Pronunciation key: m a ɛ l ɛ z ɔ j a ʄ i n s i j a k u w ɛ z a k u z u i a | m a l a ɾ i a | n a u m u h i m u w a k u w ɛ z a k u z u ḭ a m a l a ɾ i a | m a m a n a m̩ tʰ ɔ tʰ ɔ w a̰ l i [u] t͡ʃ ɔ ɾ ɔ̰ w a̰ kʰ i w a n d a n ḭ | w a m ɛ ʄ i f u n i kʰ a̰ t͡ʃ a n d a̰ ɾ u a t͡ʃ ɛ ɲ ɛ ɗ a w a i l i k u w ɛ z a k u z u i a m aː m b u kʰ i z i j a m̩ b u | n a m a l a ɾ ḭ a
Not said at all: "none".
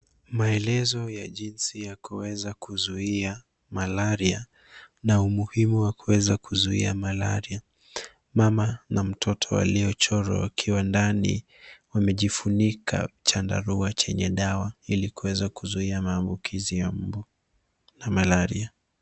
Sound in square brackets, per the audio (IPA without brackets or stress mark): ɔ